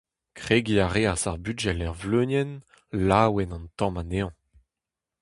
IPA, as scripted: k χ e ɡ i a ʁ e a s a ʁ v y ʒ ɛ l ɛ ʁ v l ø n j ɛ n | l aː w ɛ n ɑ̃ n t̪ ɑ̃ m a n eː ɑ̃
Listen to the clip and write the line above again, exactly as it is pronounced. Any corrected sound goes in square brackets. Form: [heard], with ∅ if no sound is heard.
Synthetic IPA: k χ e ɡ i a ʁ e a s a ʁ [b] y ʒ ɛ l ɛ ʁ v l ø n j ɛ n | l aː w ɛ n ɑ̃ n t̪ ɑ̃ m a n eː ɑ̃